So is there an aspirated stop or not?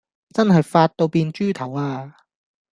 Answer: yes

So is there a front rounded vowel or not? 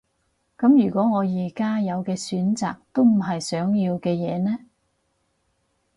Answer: yes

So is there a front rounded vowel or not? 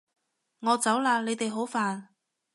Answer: no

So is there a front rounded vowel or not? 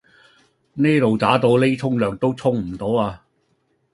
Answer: yes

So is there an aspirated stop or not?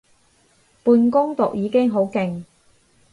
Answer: no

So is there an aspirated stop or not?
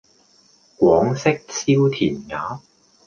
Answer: yes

